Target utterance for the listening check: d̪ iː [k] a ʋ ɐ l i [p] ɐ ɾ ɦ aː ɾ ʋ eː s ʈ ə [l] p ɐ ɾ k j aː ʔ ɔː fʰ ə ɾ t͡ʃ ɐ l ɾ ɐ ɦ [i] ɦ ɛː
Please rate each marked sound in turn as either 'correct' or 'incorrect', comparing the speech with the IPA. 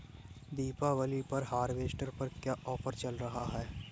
incorrect, correct, incorrect, incorrect

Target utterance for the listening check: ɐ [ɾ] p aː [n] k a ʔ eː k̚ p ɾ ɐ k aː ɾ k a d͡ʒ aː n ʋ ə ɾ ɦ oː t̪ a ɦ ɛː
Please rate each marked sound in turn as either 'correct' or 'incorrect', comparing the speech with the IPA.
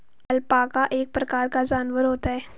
incorrect, incorrect

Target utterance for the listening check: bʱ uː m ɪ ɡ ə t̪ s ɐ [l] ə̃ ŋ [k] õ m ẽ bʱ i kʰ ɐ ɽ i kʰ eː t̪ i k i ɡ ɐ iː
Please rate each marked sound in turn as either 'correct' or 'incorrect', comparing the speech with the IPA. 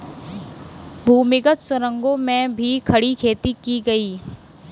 incorrect, incorrect

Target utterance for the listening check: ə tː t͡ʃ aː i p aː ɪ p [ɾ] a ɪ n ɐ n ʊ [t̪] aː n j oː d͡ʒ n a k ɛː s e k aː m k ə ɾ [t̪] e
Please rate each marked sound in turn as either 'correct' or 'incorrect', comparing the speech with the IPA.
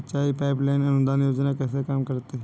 incorrect, incorrect, correct

